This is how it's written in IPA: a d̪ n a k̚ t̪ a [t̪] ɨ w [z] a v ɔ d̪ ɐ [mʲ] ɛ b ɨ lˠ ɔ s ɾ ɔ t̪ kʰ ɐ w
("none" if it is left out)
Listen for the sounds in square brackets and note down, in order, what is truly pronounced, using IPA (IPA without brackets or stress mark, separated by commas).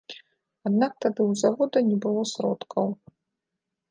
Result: d̪, z, nʲ